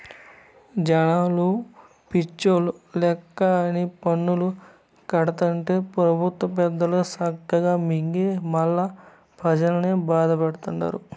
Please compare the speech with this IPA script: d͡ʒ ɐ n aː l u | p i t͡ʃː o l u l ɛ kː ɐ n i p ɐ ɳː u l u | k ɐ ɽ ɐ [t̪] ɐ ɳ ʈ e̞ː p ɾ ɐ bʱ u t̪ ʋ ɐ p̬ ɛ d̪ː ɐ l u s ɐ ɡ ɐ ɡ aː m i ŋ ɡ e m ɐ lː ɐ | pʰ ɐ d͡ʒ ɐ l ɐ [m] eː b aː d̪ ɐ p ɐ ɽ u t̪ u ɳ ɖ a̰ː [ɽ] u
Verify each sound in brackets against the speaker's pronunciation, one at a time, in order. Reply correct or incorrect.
correct, incorrect: n, incorrect: ɾ

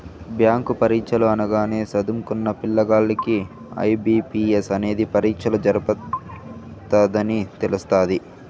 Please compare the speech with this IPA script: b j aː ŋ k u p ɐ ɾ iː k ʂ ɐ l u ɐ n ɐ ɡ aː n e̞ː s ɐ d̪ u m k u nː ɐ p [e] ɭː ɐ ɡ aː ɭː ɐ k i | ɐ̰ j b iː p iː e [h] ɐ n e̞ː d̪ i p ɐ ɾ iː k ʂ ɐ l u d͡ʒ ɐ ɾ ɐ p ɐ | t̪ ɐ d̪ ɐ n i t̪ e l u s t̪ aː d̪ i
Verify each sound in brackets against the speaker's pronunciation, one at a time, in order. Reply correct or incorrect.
incorrect: i, incorrect: s

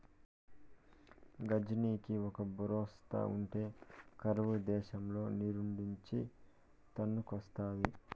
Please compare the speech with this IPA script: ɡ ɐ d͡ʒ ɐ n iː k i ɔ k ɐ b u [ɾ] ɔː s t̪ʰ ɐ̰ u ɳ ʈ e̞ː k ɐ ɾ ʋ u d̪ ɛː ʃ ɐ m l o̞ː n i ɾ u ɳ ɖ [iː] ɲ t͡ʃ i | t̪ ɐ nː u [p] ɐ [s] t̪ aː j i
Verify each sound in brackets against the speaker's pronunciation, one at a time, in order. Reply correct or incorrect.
correct, incorrect: i, incorrect: k, correct

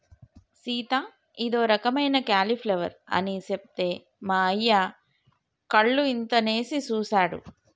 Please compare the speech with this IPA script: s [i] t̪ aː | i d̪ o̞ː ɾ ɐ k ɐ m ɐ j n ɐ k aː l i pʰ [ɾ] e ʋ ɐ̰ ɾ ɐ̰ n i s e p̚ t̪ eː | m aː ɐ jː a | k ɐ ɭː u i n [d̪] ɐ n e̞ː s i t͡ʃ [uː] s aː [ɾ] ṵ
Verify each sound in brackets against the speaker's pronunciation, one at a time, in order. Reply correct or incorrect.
incorrect: iː, incorrect: l, incorrect: t̪, correct, incorrect: ɽ

